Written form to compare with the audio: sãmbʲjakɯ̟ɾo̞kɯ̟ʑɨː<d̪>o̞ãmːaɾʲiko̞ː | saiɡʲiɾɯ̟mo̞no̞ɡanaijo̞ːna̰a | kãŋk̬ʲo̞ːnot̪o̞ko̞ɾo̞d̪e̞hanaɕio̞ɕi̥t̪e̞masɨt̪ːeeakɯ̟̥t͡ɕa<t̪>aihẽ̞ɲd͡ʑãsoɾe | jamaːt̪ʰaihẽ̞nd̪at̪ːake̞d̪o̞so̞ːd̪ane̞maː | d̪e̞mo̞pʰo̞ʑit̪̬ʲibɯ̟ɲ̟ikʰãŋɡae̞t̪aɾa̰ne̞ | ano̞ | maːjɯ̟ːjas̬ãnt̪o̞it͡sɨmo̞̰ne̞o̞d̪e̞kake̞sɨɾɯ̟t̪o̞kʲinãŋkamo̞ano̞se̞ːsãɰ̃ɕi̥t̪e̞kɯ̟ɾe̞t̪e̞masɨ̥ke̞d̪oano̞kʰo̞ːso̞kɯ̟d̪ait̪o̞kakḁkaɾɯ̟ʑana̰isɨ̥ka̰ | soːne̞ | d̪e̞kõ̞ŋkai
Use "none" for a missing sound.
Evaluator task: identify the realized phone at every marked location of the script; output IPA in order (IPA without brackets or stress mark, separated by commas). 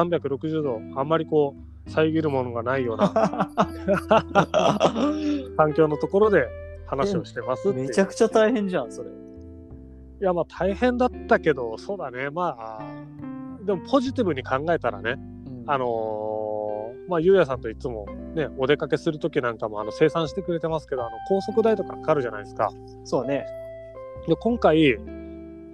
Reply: d̪, t̪